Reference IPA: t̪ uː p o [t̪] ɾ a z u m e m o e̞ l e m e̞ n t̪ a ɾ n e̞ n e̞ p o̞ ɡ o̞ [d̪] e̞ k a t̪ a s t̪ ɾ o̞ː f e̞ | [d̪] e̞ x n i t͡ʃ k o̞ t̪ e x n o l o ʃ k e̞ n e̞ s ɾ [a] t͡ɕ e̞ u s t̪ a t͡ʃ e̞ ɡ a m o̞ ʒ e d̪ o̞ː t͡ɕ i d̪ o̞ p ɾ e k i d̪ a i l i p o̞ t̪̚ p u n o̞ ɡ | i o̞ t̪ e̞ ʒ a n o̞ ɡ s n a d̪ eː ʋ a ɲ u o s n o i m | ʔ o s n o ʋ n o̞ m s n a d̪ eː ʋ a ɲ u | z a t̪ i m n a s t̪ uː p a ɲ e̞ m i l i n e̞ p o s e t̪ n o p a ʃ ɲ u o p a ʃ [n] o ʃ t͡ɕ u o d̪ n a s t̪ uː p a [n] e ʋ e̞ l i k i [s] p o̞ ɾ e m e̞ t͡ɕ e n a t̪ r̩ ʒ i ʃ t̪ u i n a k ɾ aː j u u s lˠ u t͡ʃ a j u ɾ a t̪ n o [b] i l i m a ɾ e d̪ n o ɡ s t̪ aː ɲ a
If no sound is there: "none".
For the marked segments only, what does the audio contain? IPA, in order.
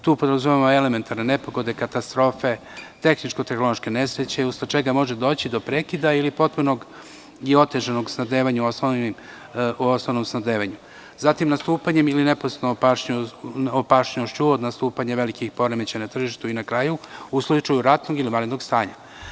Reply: d̪, d̪, t̪, e, ɲ, ɲ, x, ɡ

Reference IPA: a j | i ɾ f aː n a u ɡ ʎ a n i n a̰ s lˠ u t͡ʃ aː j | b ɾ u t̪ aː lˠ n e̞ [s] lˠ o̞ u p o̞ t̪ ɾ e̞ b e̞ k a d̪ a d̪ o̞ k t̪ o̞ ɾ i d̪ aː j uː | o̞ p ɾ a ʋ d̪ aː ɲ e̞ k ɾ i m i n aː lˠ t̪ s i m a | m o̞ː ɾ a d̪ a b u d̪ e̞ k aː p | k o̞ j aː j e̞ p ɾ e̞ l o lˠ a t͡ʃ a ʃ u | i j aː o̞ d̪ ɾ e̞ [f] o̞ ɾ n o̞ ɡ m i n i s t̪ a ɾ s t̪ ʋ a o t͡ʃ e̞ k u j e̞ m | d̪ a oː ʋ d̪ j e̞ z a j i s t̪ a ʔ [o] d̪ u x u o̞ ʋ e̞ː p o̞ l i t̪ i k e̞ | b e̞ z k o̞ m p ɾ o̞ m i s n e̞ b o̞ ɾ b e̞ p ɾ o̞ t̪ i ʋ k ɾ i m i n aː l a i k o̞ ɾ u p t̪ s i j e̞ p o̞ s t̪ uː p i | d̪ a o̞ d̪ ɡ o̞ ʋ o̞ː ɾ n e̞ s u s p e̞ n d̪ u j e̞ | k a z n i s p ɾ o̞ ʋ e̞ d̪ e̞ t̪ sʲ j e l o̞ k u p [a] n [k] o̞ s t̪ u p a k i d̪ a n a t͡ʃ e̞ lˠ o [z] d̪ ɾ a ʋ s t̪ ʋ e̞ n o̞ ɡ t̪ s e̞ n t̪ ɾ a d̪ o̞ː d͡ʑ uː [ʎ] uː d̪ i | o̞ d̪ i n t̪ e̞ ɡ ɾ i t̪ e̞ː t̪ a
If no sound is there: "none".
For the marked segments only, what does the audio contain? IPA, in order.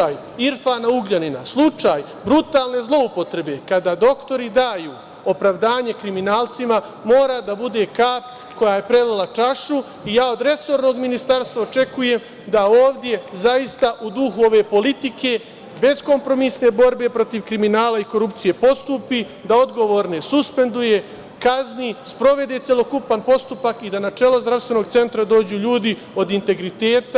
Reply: z, s, u, a, p, z, ʎ

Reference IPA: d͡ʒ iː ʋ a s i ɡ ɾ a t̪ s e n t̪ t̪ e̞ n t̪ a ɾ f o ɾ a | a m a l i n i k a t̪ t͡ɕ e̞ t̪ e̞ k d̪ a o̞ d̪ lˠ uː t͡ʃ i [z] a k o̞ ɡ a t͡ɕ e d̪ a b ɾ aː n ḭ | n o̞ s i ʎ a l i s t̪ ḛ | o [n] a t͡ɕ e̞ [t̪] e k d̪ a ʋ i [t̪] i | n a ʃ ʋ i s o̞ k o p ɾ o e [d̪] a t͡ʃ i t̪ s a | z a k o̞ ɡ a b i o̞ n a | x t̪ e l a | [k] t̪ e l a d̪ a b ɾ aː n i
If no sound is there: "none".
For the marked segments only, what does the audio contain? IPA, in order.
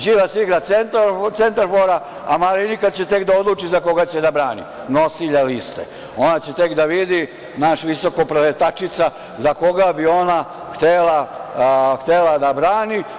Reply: z, n, t̪, d̪, t̪, x

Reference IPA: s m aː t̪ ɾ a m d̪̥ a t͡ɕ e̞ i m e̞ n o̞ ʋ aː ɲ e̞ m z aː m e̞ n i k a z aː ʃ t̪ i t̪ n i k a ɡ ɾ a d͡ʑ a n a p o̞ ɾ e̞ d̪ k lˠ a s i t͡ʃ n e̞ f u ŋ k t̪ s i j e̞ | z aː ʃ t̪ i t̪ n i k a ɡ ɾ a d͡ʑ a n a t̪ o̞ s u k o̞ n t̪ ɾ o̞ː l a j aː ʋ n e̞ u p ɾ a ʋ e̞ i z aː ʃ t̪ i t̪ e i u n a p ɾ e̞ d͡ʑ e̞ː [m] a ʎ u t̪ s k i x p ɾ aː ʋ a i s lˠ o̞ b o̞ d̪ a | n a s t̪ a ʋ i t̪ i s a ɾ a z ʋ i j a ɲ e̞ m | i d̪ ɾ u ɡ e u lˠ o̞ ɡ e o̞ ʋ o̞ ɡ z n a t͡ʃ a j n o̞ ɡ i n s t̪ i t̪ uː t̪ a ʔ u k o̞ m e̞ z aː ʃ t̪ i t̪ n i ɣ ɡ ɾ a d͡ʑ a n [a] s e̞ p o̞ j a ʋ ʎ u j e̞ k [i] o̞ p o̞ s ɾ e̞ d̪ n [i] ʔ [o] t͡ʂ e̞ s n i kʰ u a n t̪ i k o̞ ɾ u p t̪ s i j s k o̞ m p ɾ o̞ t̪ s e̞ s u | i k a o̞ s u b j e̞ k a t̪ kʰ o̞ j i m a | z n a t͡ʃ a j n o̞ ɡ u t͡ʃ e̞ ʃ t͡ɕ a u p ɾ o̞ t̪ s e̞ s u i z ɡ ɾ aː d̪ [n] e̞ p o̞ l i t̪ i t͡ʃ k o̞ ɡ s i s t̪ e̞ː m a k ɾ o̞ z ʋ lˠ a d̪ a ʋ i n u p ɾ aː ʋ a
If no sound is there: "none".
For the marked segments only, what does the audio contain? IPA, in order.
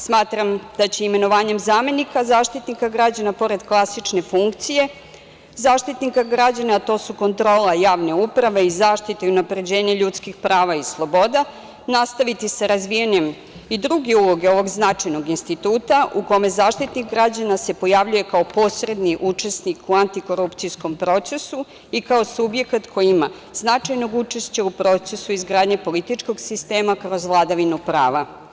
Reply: ɲ, a, a, i, u, ɲ

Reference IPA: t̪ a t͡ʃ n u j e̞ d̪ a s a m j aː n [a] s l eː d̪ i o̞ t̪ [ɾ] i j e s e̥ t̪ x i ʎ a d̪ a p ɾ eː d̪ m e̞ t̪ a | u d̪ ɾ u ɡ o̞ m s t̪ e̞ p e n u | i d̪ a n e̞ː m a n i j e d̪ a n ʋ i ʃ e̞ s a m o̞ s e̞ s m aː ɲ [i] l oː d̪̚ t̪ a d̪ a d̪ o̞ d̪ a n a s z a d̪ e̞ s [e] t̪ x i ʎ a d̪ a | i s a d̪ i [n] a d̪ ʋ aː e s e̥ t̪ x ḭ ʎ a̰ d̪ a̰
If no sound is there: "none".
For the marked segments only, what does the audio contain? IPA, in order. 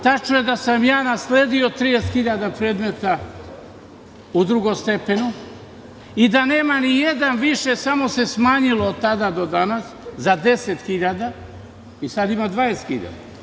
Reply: a, ɾ, i, e, m

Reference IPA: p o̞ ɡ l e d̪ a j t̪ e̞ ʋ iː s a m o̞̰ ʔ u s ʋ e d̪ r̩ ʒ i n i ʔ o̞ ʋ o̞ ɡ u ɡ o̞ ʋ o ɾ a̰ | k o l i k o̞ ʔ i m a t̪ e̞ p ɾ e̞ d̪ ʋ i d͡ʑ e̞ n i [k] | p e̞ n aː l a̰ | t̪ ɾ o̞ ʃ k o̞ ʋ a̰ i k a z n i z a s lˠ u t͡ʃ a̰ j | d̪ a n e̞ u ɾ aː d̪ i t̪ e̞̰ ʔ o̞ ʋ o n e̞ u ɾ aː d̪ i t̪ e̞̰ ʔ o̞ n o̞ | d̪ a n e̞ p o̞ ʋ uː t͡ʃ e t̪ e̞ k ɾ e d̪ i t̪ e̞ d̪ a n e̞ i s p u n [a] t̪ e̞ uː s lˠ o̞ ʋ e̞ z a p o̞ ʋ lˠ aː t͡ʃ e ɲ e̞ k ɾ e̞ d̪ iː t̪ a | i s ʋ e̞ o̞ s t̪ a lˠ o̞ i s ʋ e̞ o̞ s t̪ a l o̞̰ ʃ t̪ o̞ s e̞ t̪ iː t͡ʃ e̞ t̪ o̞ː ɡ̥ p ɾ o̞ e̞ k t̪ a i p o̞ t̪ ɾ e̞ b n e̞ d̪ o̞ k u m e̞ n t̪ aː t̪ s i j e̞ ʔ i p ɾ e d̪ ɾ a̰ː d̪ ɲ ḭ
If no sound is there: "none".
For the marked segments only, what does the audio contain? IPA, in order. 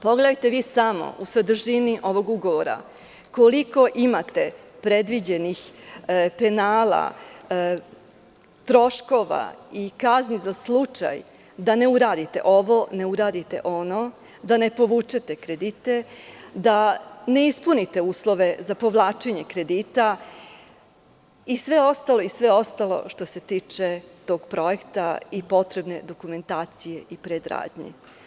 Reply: x, i

